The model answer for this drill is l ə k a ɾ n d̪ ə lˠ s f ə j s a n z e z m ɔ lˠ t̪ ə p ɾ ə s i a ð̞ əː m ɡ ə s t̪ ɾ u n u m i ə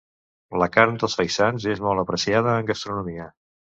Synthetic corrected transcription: l ə k a ɾ n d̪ ə lˠ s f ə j s a n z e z m ɔ lˠ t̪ ə p ɾ ə s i a ð̞ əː ŋ ɡ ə s t̪ ɾ u n u m i ə